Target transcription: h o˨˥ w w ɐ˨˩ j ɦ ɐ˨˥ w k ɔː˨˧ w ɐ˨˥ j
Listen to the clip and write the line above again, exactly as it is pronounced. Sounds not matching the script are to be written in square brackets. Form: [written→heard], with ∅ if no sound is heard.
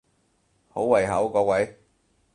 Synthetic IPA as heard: h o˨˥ w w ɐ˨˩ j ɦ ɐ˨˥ w k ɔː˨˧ w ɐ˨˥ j